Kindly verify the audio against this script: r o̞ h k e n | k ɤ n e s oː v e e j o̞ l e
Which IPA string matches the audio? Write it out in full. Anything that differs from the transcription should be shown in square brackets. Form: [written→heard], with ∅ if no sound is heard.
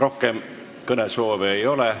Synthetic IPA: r o̞ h k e [n→m] | k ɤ n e s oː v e e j o̞ l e